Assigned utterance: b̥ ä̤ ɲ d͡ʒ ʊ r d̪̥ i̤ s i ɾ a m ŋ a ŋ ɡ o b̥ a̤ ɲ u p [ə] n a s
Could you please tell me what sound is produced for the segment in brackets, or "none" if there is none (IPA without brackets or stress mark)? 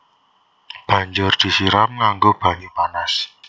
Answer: a